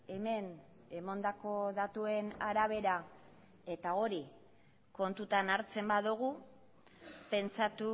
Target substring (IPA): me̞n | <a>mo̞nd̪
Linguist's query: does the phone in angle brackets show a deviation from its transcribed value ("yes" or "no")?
yes